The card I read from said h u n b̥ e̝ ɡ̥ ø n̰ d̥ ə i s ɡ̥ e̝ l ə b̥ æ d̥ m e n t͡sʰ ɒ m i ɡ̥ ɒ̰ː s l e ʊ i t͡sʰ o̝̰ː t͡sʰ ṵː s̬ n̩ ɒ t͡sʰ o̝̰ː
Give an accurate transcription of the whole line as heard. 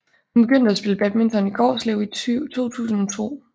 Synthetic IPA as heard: h u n b̥ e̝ ɡ̥ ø n̰ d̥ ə æ s b̥ e̝ l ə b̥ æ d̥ m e n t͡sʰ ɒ n i ɡ̥ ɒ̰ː s l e ʊ i t͡sʰ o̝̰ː t͡sʰ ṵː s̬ n̩ ɒ t͡sʰ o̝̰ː

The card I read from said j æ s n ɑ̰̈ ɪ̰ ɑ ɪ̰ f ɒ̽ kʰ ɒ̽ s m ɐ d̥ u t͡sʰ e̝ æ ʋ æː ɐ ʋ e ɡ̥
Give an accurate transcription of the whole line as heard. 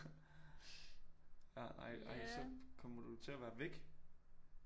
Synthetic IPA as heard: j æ n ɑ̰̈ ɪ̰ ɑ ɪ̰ s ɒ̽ kʰ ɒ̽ m ɐ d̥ u t͡sʰ e̝ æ ʋ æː ɐ ʋ e ɡ̥

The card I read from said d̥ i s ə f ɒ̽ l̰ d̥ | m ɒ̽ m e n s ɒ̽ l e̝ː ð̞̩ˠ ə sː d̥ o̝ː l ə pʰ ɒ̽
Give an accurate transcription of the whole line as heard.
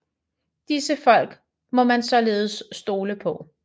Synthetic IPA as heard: d̥ i s ə f ɒ̽ l̰ ɡ̥ | m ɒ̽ m æ n s ɒ̽ l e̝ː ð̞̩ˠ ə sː d̥ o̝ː l ə pʰ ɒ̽

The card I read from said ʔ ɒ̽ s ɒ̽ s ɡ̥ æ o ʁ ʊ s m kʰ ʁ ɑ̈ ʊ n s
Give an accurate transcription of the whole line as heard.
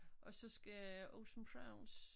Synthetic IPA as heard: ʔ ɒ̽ s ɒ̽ s ɡ̥ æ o ʊ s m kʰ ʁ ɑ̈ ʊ n s

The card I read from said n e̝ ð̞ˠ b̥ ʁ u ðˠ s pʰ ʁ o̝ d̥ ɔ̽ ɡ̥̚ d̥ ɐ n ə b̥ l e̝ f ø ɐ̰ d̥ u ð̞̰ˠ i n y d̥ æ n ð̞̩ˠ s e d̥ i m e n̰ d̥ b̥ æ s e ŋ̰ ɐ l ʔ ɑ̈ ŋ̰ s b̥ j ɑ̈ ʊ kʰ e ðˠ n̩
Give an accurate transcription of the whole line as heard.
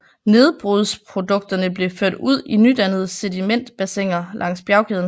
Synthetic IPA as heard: n e̝ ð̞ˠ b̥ ʁ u ðˠ s pʰ ʁ o̝ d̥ ɔ̽ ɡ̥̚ d̥ ɐ n ə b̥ l e̝ f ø ɐ̰ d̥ u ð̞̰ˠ i n y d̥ æ n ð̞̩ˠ s e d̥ i m e n̰ d̥ b̥ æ s e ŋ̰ ɐ l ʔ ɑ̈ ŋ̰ s b̥ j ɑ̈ ʊ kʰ e ðˠ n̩

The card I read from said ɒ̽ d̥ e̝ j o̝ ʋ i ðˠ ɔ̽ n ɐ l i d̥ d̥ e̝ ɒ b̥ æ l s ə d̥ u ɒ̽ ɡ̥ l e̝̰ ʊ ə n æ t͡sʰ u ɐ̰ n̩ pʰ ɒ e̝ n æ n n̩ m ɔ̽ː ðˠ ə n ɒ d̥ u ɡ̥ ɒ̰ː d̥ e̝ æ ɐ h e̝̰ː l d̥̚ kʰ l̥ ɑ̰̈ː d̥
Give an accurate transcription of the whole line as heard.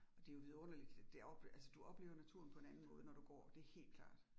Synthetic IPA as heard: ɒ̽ d̥ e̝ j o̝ ʋ i ðˠ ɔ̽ n ɐ l i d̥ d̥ e̝ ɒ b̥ æ l s ə d̥ u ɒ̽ b̥ l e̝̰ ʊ ɐ n æ t͡sʰ u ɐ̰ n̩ pʰ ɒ e̝ n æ n n̩ m ɔ̽ː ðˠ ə n ɒ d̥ u ɡ̥ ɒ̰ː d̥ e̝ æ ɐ h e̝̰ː l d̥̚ kʰ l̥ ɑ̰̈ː d̥

